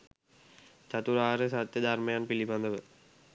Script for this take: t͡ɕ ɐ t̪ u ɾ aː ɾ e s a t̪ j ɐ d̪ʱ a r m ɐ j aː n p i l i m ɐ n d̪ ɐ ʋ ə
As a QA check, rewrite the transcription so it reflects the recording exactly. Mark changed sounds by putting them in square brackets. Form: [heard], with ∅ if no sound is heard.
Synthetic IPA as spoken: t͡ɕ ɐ t̪ u ɾ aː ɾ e s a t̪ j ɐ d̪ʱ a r m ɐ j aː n p i l i [b] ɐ n d̪ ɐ ʋ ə